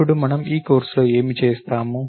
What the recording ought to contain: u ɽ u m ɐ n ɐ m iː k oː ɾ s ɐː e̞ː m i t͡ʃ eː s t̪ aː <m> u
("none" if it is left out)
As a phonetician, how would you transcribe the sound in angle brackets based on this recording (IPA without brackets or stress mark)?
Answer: m